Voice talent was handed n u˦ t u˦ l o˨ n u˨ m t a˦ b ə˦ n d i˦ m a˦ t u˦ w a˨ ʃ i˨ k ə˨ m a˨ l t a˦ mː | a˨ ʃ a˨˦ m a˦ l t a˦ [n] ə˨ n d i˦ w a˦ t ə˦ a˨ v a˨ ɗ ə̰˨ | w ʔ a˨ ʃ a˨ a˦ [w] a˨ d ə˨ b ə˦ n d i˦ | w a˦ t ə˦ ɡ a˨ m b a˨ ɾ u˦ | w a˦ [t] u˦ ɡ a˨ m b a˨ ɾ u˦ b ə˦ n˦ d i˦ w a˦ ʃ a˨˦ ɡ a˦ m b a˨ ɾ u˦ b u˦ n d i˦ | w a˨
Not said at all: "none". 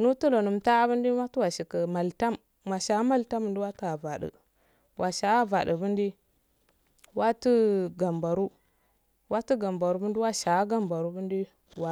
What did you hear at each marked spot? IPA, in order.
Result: m, v, t

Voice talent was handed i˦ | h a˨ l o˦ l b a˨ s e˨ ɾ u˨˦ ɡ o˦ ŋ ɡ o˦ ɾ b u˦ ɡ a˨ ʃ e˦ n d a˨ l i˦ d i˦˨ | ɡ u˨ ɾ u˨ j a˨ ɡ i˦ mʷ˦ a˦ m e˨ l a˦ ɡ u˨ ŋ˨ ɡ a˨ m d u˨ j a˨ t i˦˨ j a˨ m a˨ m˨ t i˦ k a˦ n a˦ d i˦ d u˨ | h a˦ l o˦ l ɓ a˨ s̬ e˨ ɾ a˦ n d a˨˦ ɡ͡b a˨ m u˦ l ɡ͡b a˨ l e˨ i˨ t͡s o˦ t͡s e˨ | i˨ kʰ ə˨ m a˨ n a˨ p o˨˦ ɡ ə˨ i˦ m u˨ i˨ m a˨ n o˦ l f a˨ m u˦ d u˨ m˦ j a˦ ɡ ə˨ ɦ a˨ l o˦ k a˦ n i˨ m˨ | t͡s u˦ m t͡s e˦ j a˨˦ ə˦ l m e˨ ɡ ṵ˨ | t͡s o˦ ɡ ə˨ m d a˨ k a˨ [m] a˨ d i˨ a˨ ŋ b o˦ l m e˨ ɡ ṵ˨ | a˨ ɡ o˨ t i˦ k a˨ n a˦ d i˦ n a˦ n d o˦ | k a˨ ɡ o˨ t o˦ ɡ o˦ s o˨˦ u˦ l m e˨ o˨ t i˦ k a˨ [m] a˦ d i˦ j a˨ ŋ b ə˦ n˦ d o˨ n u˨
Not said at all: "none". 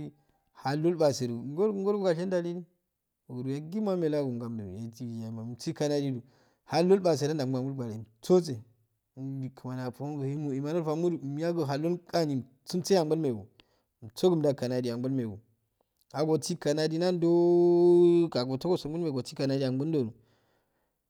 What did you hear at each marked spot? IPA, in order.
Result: n, n

